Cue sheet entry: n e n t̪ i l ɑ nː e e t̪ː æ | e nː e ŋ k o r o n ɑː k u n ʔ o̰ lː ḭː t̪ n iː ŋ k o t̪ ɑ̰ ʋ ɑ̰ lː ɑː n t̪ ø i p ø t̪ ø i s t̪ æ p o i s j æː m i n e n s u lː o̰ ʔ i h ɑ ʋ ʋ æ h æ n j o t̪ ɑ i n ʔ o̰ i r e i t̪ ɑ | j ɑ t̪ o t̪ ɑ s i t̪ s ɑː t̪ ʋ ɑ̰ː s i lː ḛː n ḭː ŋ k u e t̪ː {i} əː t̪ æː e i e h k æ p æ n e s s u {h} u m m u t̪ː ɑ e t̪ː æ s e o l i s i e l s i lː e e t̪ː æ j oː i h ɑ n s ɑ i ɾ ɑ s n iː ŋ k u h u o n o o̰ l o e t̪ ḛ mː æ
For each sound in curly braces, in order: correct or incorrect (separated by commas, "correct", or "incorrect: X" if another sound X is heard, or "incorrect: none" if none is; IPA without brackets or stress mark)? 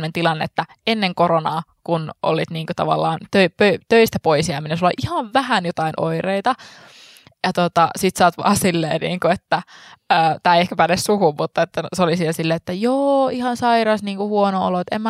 incorrect: æ, correct